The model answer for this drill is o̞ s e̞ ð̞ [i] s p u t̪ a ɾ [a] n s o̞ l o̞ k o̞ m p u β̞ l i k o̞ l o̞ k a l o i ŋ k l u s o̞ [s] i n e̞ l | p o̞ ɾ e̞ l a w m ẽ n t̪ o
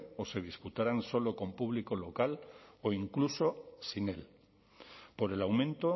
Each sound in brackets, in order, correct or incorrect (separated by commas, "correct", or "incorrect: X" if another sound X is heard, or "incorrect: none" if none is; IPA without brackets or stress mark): correct, correct, correct